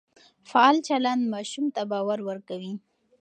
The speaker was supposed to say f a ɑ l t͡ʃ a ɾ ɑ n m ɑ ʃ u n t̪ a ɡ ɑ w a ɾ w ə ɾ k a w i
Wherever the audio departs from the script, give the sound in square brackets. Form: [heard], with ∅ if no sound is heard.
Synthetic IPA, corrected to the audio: f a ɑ l t͡ʃ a [l] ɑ n m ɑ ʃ u [m] t̪ a [b] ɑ w a ɾ w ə ɾ k a w i